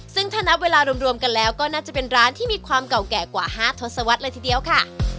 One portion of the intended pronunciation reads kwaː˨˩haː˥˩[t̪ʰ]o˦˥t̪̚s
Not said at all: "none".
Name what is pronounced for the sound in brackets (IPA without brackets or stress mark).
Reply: t̪ʰ